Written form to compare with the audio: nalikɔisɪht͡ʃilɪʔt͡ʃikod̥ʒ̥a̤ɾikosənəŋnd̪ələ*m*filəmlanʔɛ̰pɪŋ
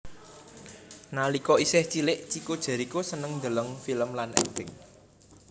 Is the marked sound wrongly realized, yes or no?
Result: yes